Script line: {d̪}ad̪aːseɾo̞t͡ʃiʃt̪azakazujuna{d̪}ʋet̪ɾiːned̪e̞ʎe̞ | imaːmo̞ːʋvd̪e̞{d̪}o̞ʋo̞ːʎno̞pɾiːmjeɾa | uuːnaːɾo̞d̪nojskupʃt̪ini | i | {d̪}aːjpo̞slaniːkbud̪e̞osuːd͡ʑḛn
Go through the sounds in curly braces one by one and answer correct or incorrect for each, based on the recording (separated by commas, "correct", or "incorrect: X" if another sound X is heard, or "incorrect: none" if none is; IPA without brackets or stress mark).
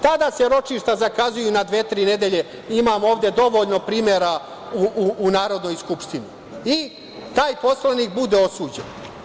incorrect: t̪, correct, correct, incorrect: t̪